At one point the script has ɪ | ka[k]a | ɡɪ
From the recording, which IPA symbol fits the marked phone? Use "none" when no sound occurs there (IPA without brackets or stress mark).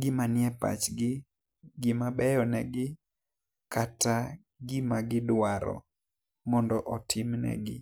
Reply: t